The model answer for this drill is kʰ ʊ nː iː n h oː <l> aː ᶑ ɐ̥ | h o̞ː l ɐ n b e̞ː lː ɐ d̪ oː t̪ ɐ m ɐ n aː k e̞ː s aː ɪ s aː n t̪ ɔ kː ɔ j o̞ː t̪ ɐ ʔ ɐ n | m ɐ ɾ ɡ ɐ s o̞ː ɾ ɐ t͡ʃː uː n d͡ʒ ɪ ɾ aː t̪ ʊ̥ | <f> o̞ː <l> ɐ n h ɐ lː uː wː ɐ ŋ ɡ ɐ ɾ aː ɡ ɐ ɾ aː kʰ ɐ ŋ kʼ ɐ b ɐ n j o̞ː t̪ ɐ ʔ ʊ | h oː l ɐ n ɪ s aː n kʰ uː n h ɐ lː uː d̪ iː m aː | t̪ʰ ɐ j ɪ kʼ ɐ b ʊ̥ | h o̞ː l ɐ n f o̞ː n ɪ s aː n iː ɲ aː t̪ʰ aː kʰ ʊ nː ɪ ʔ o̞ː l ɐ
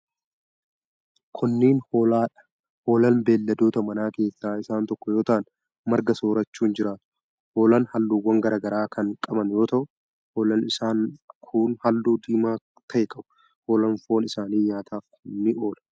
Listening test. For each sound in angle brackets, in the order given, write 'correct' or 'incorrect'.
correct, incorrect: h, correct

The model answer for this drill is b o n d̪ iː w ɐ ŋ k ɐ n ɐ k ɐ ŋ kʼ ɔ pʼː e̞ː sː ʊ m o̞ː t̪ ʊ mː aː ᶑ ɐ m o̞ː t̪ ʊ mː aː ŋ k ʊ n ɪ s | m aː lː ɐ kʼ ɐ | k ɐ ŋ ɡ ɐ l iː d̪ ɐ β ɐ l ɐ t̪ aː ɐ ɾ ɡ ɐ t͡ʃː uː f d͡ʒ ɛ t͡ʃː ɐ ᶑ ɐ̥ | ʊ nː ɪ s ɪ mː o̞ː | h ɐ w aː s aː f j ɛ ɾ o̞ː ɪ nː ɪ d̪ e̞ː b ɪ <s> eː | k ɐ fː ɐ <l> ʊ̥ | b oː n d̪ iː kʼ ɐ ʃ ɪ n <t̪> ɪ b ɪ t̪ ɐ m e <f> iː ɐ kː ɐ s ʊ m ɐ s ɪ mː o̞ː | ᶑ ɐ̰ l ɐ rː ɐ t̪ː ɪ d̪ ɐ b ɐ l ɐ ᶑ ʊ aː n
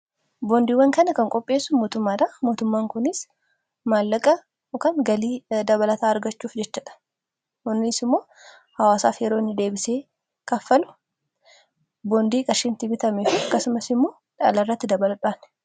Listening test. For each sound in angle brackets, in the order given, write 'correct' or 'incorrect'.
correct, correct, correct, correct

